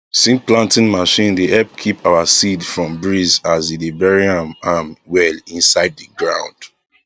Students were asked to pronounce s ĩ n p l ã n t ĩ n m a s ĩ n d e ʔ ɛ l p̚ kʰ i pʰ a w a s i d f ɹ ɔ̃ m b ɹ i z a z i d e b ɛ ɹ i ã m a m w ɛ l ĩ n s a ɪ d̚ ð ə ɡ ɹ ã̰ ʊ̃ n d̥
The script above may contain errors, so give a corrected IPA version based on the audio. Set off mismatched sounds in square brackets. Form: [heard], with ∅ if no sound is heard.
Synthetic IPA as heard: s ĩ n p l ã n t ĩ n m a [ʃ] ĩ n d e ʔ ɛ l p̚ kʰ i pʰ a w a s i d f ɹ ɔ̃ m b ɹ i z a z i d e b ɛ ɹ i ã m a m w ɛ l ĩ n s a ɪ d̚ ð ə ɡ ɹ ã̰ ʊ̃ n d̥